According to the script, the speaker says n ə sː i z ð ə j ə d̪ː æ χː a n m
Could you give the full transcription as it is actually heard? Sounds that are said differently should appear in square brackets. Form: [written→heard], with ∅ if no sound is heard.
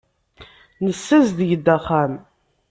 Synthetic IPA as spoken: n ə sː [i→æ] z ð ə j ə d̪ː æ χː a [n→∅] m